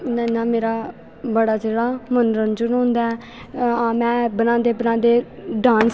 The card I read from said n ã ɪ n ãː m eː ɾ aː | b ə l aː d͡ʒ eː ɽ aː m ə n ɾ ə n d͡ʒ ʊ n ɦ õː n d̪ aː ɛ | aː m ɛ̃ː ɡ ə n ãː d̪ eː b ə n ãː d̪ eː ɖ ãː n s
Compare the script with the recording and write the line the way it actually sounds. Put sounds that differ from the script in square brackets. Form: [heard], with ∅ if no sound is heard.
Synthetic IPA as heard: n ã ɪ n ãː m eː ɾ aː | b ə [ɽ] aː d͡ʒ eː ɽ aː m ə n ɾ ə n d͡ʒ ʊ n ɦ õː n d̪ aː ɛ | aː m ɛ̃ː [b] ə n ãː d̪ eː b ə n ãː d̪ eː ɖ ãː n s